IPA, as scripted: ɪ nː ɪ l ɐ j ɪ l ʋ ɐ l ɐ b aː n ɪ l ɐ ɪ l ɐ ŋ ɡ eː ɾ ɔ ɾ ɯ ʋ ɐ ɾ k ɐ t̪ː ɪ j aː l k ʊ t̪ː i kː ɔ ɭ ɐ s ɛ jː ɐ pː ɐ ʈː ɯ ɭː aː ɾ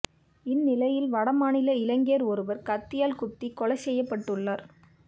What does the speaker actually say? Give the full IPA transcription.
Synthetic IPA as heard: ɪ nː ɪ l ɐ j ɪ l ʋ ɐ ɽ ɐ m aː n ɪ l ɐ ɪ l ɐ ŋ ɡ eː ɾ ɔ ɾ ɯ ʋ ɐ ɾ k ɐ t̪ː ɪ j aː l k ʊ t̪ː i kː ɔ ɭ ɐ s ɛ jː ɐ pː ɐ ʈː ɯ ɭː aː ɾ